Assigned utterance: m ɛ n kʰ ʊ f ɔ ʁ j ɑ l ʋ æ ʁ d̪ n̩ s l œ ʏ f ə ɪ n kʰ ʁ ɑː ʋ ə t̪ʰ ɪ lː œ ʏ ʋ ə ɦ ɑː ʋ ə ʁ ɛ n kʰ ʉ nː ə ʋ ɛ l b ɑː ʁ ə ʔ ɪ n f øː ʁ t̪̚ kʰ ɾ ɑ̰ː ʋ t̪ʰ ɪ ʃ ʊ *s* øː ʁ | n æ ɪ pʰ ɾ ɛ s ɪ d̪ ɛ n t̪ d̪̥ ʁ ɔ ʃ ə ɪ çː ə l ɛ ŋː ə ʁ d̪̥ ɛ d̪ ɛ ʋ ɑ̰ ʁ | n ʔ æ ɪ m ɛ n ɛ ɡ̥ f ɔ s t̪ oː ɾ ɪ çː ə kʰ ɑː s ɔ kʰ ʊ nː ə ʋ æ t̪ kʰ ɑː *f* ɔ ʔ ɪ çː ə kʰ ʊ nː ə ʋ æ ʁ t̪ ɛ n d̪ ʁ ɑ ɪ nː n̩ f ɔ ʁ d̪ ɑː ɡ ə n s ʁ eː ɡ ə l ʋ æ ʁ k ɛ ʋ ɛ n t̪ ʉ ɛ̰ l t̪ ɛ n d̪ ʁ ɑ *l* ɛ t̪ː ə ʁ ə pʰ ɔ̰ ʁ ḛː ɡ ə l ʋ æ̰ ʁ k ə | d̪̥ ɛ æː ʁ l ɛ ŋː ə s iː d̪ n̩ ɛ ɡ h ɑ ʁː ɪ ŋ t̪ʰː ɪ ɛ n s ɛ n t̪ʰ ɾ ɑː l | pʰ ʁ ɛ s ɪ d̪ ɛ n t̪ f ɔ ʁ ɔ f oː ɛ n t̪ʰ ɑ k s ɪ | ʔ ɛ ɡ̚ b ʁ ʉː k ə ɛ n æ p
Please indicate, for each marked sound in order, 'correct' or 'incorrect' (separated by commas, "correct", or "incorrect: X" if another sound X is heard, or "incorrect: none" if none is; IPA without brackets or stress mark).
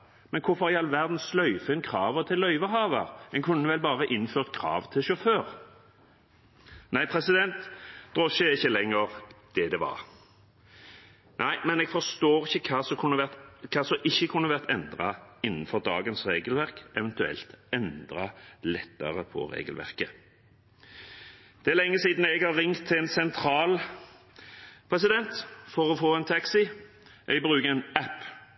incorrect: f, incorrect: s, correct